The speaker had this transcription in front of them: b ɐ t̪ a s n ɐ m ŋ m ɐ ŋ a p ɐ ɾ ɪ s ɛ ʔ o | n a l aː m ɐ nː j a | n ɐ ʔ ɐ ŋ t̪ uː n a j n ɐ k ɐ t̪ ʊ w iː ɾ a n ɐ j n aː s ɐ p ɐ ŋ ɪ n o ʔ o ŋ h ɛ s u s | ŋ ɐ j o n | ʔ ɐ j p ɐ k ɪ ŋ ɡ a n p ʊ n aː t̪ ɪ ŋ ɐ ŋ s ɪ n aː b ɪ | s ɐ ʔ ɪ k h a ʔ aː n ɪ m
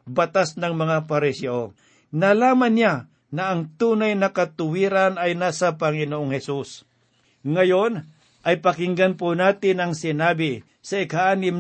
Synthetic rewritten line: b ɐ t̪ a s n ɐ ŋ m ɐ ŋ a p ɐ ɾ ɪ s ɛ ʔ o | n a l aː m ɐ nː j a | n ɐ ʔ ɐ ŋ t̪ uː n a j n ɐ k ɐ t̪ ʊ w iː ɾ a n ɐ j n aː s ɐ p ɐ ŋ ɪ n o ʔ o ŋ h ɛ s u s | ŋ ɐ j o n | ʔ ɐ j p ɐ k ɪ ŋ ɡ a n p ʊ n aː t̪ ɪ n ɐ ŋ s ɪ n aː b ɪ | s ɐ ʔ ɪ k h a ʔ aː n ɪ m